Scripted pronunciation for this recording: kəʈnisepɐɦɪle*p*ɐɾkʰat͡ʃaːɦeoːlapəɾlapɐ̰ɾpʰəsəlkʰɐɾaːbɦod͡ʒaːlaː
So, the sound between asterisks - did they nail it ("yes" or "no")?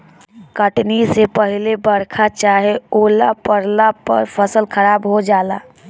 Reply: no